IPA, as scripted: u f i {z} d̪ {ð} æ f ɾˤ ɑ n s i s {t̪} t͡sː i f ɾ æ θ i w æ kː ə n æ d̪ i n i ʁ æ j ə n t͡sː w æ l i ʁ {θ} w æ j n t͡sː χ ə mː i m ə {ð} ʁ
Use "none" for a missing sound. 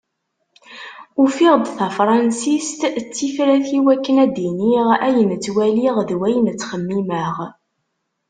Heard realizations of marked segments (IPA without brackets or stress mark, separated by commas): ʁ, θ, t̪, ð, none